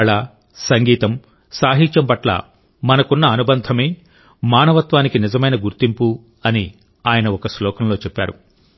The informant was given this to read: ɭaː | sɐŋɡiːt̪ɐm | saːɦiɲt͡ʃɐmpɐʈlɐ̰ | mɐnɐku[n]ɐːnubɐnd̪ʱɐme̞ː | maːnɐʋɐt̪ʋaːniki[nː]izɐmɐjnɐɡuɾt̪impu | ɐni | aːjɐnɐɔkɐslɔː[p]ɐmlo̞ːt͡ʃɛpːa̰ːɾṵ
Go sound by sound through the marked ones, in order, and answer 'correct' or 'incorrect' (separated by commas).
incorrect, incorrect, incorrect